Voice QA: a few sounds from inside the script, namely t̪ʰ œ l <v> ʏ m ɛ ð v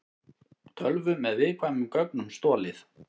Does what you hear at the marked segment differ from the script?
no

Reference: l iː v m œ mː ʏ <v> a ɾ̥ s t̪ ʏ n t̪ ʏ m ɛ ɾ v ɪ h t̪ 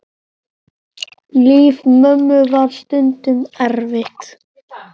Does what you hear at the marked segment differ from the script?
no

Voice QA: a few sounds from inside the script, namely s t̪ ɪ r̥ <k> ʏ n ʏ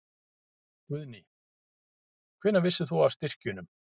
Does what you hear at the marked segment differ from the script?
yes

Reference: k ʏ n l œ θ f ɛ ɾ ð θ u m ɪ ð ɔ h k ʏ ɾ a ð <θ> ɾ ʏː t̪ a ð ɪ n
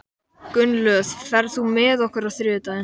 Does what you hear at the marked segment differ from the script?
no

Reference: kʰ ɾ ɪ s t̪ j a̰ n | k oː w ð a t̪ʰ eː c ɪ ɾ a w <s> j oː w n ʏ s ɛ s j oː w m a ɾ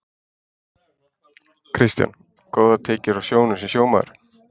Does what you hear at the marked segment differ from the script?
no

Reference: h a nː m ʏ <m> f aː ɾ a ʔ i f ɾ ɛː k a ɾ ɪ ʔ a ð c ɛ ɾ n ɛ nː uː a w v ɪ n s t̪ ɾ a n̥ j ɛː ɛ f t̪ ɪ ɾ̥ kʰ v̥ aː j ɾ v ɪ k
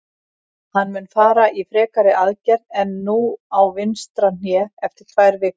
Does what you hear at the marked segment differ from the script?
yes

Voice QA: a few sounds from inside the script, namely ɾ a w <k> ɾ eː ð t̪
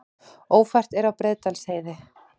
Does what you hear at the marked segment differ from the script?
yes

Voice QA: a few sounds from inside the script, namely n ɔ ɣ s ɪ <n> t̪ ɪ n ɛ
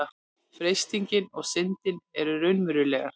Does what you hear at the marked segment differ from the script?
no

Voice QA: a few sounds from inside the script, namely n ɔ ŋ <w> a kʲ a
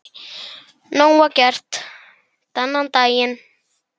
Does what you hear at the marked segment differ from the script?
no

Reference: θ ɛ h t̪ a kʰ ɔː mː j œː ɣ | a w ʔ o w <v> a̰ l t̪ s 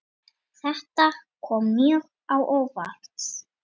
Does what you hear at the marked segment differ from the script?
no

